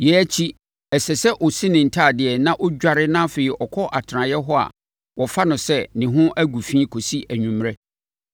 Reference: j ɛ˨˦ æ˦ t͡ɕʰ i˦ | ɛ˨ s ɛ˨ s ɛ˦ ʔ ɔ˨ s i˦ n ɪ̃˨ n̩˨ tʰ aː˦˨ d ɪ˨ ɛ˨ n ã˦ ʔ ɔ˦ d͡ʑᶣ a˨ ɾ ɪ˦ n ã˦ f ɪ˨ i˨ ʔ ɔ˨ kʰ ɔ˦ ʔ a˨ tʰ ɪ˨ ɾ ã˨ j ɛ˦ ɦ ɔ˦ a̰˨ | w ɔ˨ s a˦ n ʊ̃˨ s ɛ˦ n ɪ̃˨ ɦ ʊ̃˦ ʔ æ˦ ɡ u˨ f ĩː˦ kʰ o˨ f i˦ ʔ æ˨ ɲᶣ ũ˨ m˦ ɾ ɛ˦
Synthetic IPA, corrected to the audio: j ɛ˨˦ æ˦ t͡ɕʰ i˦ | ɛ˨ s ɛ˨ s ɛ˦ ʔ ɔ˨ s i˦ n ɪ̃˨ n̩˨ tʰ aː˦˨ d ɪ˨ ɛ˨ n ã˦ ʔ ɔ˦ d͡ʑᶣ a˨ ɾ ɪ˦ n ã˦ f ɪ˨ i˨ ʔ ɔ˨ kʰ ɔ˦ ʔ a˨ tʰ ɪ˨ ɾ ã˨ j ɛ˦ ɦ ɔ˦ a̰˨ | w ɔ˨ f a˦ n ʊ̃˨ s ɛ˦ n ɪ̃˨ ɦ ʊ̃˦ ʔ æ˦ ɡ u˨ f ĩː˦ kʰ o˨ s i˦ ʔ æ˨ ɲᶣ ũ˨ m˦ ɾ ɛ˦